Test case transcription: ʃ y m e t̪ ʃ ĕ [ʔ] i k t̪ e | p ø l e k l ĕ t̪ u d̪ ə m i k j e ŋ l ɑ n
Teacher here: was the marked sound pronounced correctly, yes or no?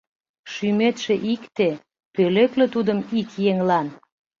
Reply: yes